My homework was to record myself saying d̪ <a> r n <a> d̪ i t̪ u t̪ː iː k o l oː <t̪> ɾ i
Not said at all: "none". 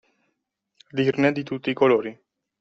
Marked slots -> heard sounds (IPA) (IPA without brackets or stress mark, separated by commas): i, e, none